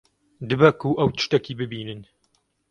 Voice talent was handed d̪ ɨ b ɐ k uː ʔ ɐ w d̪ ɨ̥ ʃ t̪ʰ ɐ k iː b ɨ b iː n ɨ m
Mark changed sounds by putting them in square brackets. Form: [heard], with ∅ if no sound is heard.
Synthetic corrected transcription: d̪ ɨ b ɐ k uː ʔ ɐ w [t̪] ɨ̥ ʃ [t̪] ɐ k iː b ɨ b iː n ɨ [n]